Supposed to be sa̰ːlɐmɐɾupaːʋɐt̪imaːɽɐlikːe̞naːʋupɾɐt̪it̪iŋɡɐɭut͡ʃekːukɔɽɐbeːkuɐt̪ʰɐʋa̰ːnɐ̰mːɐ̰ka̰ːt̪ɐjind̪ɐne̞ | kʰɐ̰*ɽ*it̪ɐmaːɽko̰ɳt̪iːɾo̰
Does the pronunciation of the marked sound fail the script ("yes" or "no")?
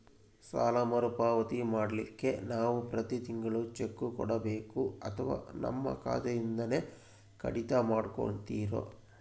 no